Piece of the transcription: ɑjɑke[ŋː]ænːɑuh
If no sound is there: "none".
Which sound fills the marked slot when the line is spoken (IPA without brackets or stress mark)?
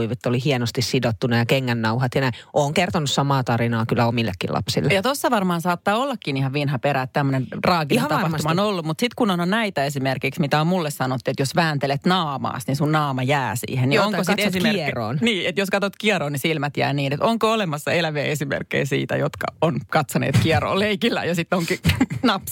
ŋː